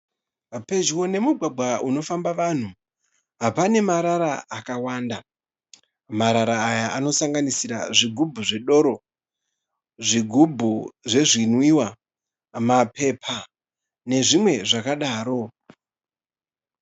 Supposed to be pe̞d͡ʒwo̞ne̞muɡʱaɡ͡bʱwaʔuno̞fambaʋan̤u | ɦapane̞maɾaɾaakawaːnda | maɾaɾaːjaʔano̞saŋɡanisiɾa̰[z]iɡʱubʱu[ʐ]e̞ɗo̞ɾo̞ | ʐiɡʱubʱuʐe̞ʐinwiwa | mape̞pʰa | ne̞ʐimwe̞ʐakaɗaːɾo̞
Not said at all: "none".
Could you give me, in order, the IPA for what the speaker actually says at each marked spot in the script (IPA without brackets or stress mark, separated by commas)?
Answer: ʐ, ʐ